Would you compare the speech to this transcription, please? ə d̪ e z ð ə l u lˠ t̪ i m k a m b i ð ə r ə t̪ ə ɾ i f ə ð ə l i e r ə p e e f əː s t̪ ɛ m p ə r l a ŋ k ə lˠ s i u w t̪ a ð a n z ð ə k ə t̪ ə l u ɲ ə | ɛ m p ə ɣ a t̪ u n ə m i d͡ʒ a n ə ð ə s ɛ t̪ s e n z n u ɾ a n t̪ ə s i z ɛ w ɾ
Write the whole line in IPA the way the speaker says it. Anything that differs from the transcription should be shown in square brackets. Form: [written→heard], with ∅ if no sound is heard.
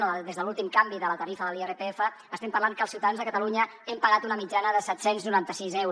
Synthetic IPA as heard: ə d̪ e z ð ə l u lˠ t̪ i m k a m b i ð ə [r→l] ə t̪ ə ɾ i f ə ð ə l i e r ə p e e f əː s t̪ ɛ m p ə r l a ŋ k ə lˠ s i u w t̪ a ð a n z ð ə k ə t̪ ə l u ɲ ə | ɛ m p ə ɣ a t̪ u n ə m i d͡ʒ a n ə ð ə s ɛ t̪ s e n z n u ɾ a n t̪ ə s i z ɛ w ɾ